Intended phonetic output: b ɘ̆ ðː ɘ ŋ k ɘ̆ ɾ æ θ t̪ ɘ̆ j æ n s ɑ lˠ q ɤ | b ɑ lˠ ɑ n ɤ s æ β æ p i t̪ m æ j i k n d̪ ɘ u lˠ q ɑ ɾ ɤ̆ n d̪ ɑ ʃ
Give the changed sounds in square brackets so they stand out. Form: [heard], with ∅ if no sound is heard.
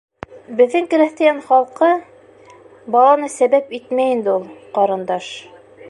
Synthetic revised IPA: b ɘ̆ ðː ɘ ŋ k ɘ̆ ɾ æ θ t̪ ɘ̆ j æ n [χ] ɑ lˠ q ɤ | b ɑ lˠ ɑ n ɤ s æ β æ p i t̪ m æ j i [∅] n d̪ ɘ u lˠ q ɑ ɾ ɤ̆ n d̪ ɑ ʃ